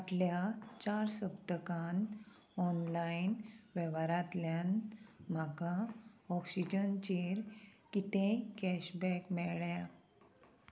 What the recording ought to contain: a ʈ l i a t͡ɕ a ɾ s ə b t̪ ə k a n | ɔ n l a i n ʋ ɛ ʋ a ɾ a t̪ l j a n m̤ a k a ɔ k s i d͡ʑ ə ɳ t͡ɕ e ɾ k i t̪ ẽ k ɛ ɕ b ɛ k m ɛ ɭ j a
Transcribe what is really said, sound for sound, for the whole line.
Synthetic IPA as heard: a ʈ l j a t͡ɕ a ɾ s ə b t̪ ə k a n | ɔ n l a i n ʋ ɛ ʋ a ɾ a t̪ l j a n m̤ a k a ɔ k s i d͡ʑ ə n t͡ɕ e ɾ k i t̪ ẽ k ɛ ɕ b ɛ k m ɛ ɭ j a